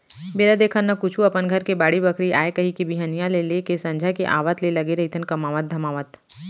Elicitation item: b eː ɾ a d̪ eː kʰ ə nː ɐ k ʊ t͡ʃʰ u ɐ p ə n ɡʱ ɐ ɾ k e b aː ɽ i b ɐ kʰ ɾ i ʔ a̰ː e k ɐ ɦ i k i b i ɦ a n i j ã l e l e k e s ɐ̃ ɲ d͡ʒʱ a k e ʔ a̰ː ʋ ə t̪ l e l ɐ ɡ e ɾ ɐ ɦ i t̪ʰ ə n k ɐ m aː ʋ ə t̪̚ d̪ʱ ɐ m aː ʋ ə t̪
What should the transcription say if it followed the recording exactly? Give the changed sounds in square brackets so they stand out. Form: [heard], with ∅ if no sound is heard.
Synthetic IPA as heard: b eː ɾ a d̪ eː kʰ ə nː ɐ k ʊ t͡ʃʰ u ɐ p ə n ɡʱ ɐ ɾ k e b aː ɽ i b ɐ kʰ ɾ i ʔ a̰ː e k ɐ ɦ i k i b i ɦ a n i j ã l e l e k e s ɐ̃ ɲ d͡ʒʱ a k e ʔ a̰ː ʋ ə t̪ l e l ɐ ɡ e ɾ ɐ ɦ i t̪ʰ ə n k ɐ m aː ʋ ə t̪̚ d̪ʱ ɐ m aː ʋ ə t̪